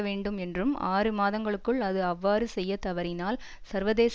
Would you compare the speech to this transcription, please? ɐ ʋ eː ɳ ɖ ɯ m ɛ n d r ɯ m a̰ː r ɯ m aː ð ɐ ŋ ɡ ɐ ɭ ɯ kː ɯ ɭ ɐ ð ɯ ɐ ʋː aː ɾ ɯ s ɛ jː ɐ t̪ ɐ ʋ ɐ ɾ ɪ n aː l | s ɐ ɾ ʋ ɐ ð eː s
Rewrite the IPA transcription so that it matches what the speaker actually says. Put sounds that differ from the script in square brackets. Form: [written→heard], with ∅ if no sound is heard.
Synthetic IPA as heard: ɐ ʋ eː ɳ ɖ ɯ m ɛ n d r ɯ m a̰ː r ɯ m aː ð ɐ ŋ ɡ ɐ ɭ ɯ kː ɯ ɭ ɐ ð ɯ ɐ ʋː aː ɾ ɯ s ɛ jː ɐ t̪ ɐ ʋ ɐ ɾ ɪ n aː l | s ɐ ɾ ʋ ɐ ð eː s